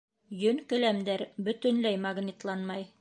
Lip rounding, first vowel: rounded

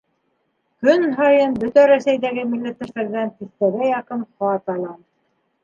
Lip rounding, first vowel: rounded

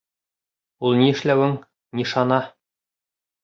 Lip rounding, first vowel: rounded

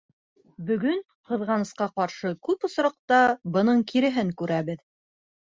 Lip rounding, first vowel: rounded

